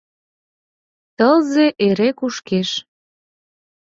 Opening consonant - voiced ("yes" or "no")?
no